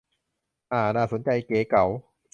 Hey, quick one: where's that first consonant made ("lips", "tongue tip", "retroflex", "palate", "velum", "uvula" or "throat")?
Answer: throat